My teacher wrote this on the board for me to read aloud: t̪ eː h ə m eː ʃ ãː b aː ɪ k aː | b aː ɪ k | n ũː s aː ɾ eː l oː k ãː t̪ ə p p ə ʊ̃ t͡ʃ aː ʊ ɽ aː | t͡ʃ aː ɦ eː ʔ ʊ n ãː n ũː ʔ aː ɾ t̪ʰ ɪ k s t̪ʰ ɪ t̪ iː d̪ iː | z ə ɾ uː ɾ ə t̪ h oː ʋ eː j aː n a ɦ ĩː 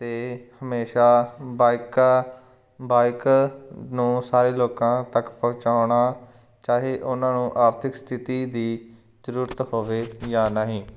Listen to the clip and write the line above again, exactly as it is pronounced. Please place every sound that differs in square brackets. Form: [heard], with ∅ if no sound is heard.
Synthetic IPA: t̪ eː h ə m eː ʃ [aː] b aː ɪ k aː | b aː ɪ k | n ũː s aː ɾ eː l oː k ãː t̪ ə [k] p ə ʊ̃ t͡ʃ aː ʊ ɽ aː | t͡ʃ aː ɦ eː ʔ ʊ n ãː n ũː ʔ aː ɾ t̪ʰ ɪ k s t̪ʰ ɪ t̪ iː d̪ iː | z ə ɾ uː ɾ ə t̪ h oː ʋ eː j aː n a ɦ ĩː